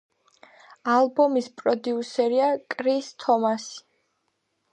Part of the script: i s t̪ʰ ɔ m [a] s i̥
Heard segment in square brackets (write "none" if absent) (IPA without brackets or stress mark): a